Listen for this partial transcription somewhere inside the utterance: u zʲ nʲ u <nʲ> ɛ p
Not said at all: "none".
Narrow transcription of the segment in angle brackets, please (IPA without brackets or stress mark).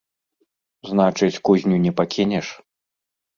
nʲ